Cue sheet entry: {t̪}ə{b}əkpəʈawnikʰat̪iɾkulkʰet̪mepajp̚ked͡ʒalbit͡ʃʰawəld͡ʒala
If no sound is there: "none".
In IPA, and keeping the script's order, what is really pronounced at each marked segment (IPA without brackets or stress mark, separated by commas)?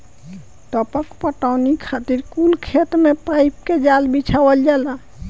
t̪, p